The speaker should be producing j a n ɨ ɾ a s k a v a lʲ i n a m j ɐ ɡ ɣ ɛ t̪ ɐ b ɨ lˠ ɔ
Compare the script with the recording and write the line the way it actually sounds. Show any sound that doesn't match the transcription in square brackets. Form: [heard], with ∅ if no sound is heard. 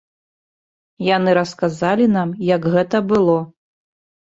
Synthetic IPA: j a n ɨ ɾ [ɐ] s k a [z] a lʲ i n a m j ɐ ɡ ɣ ɛ t̪ ɐ b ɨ lˠ ɔ